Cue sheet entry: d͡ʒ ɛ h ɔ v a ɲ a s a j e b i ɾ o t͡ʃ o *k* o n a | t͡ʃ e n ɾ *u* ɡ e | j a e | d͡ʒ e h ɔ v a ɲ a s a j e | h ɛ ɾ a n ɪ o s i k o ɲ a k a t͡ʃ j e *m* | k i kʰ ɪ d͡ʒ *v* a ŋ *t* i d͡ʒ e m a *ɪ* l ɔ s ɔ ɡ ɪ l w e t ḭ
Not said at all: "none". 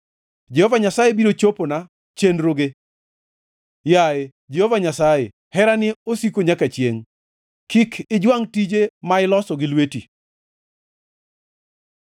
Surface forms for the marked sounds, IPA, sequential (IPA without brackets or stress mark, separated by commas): p, o, ŋ, w, t, ɪ